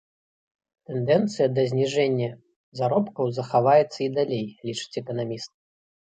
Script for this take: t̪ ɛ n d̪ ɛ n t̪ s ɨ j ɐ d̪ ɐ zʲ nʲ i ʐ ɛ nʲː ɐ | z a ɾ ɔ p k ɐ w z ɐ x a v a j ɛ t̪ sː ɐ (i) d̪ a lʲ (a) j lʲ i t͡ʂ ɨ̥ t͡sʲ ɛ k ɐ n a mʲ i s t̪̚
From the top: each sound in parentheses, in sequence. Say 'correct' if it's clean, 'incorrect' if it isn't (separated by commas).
correct, incorrect